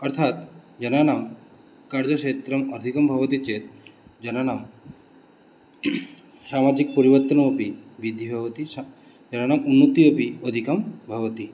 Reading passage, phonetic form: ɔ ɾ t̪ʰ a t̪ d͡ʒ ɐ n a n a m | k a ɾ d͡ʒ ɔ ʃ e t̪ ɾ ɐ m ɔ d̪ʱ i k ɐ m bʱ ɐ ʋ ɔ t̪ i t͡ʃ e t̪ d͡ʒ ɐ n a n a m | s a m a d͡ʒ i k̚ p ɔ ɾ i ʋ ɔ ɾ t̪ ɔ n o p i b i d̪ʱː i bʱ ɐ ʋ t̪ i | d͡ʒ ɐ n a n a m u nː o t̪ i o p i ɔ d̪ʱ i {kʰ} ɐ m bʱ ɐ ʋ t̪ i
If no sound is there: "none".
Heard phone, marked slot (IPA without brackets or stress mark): k